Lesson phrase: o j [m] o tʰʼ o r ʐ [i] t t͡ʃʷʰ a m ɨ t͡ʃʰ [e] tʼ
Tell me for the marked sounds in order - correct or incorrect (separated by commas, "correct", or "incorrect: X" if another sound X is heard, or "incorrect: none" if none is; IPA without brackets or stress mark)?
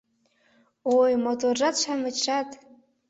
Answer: correct, incorrect: a, incorrect: a